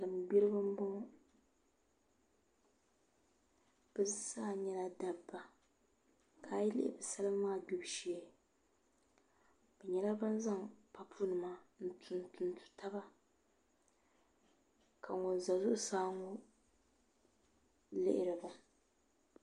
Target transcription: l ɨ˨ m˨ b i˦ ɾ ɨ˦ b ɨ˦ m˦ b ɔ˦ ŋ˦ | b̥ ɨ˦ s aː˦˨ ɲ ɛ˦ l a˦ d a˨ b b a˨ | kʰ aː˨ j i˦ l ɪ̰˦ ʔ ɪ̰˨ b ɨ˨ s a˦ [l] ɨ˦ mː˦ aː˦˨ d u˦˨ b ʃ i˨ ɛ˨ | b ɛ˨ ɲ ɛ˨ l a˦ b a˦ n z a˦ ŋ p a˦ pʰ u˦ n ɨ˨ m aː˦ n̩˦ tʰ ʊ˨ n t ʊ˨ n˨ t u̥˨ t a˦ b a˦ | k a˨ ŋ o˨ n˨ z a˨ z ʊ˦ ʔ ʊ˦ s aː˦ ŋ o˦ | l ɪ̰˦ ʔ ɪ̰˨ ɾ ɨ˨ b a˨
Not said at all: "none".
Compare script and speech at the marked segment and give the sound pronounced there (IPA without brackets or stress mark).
l